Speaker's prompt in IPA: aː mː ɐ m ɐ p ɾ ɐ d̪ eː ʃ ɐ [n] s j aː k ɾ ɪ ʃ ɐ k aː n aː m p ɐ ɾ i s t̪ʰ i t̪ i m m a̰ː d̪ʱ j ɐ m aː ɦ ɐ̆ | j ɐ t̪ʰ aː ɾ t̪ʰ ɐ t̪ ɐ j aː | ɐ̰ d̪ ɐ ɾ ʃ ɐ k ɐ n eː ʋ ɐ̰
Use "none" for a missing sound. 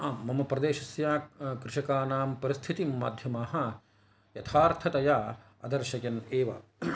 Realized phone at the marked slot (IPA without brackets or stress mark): none